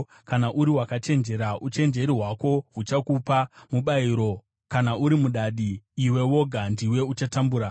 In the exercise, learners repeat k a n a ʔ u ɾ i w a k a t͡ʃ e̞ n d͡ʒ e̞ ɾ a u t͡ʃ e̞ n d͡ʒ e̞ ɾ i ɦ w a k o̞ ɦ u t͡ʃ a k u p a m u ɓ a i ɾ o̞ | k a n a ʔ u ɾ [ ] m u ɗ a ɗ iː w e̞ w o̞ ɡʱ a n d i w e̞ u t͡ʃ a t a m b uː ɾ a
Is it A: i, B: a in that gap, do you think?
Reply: A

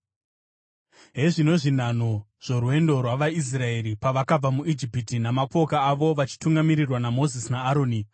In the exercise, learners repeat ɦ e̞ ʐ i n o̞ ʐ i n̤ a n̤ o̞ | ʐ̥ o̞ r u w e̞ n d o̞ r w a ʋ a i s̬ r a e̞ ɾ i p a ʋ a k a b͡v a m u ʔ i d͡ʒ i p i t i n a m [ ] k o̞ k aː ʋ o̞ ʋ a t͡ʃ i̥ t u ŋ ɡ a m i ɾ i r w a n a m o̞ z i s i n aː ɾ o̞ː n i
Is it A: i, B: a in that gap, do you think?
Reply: B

